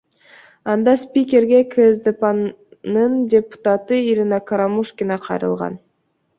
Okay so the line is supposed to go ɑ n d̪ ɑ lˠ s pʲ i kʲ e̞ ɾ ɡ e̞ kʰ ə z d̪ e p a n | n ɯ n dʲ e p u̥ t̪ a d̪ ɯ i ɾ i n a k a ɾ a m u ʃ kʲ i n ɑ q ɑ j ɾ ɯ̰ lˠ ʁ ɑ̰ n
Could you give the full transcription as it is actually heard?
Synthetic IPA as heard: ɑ n d̪ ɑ s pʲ i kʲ e̞ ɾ ɡ e̞ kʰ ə z d̪ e p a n | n ɯ n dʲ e p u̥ t̪ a t̪ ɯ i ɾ i n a k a ɾ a m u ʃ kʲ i n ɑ qʰ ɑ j ɾ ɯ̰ lˠ ʁ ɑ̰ n